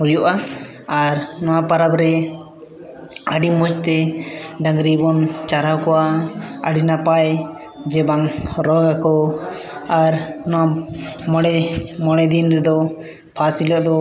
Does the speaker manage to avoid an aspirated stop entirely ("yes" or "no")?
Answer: no